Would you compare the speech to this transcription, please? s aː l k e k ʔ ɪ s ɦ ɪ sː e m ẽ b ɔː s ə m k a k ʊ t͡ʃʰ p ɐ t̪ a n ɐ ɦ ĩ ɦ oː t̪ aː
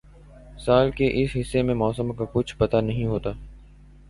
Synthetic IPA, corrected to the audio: s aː l k e ʔ ɪ s ɦ ɪ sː e m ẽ m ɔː s ə m k a k ʊ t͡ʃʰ p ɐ t̪ a n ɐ ɦ ĩ ɦ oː t̪ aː

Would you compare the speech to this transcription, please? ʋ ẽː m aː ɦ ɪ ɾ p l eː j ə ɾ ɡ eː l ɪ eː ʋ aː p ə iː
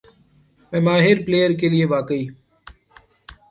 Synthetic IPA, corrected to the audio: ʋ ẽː m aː ɦ ɪ ɾ p l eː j ə ɾ k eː l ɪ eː ʋ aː k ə iː

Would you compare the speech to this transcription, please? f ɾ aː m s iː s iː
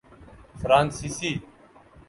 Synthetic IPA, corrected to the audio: f ɾ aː n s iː s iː

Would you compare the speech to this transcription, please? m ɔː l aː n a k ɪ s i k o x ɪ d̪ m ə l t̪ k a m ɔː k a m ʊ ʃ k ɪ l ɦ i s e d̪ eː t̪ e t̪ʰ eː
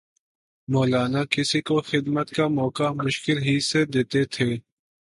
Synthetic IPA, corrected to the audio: m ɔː l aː n a k ɪ s i k o x ɪ d̪ m ə t̪ k a m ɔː k a m ʊ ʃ k ɪ l ɦ i s e d̪ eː t̪ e t̪ʰ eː

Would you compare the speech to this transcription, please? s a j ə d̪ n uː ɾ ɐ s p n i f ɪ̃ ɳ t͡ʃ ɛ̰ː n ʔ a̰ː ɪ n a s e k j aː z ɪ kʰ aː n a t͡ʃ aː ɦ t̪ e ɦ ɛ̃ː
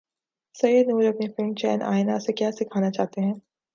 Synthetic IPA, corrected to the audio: s ɐ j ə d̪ n uː ɾ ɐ p n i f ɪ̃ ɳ t͡ʃ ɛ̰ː n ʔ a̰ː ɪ n a s e k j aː s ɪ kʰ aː n a t͡ʃ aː ɦ t̪ e ɦ ɛ̃ː

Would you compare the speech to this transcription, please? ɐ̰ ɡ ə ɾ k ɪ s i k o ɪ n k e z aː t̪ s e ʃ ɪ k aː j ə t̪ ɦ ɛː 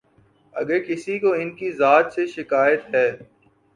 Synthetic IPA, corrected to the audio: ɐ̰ ɡ ə ɾ k ɪ s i k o ɪ n k i z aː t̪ s e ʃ ɪ k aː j ə t̪ ɦ ɛː

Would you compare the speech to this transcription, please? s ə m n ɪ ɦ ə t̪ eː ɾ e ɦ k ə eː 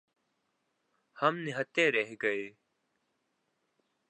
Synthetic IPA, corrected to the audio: h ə m n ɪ ɦ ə t̪ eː ɾ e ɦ ɡ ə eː

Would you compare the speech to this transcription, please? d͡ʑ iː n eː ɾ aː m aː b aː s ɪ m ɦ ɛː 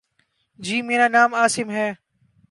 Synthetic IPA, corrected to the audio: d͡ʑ iː m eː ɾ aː n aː m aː s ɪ m ɦ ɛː

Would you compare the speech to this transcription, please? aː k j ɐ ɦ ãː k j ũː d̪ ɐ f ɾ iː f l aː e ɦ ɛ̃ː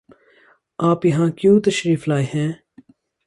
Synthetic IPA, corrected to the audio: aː p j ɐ ɦ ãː k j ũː t̪ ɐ ʃ ɾ iː f l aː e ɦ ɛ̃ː

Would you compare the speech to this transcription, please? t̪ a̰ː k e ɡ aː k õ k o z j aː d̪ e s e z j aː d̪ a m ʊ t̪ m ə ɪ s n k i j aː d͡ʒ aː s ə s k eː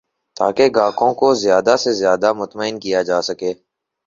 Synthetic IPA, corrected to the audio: t̪ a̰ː k e ɡ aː k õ k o z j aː d̪ a s e z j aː d̪ a m ʊ t̪ m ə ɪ n k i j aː d͡ʒ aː s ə k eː

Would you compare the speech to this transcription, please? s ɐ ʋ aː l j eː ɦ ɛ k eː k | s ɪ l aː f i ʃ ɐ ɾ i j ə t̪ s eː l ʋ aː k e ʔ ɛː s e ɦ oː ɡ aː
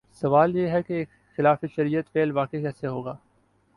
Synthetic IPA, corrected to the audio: s ɐ ʋ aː l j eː ɦ ɛ k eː k | x ɪ l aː f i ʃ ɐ ɾ i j ə t̪ f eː l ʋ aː k e k ɛː s e ɦ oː ɡ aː

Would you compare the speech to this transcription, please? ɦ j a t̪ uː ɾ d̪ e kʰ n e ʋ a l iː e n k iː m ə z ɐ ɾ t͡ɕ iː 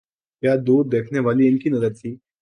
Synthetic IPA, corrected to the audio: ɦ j a d̪ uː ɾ d̪ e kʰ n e ʋ a l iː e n k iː n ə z ə ɾ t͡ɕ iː

